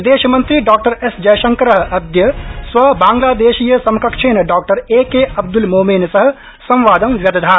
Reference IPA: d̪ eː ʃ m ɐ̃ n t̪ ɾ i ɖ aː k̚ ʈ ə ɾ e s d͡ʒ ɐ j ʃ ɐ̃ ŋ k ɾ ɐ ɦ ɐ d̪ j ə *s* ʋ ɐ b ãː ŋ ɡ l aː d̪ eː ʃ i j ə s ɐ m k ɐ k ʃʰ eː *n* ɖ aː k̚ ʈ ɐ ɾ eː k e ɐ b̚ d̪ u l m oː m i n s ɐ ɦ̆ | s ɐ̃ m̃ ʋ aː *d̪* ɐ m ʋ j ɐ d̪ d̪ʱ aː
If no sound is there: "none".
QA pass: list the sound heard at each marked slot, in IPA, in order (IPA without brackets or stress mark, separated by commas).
s, n, d̪